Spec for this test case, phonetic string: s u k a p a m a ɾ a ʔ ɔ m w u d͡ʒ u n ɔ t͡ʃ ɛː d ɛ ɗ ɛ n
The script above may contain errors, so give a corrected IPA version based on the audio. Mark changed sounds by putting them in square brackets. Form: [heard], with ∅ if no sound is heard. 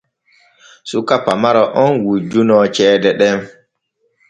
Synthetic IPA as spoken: s u k a p a m a ɾ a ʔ ɔ [n] w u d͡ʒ u n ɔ t͡ʃ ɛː d ɛ ɗ ɛ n